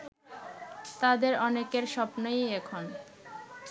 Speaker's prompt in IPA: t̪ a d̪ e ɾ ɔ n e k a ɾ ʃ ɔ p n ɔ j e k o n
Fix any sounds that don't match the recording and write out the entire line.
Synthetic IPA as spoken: t̪ a d̪ e ɾ ɔ n e k e ɾ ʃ ɔ p n o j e kʰ o n